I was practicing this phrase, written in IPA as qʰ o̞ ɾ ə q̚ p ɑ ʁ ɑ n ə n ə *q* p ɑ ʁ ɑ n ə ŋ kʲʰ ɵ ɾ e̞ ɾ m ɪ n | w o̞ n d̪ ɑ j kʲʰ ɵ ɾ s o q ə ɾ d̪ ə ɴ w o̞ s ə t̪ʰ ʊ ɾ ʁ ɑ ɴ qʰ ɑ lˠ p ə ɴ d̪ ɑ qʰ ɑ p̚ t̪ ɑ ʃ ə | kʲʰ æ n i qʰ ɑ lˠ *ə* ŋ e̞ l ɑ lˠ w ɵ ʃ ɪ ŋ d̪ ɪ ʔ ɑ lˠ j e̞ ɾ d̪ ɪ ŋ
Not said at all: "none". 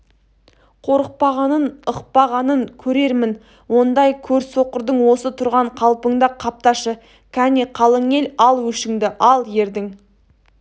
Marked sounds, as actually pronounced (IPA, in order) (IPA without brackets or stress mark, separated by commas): q, ə